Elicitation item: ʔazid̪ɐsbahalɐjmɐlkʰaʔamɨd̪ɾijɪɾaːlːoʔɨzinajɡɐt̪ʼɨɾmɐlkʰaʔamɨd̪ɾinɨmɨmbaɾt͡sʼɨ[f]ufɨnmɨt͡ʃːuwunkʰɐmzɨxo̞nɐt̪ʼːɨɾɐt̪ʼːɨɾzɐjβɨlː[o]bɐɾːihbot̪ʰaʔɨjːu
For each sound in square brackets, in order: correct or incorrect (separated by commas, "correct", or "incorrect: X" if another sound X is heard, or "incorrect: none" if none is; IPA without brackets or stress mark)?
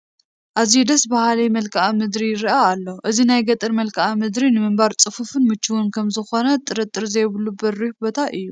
correct, incorrect: u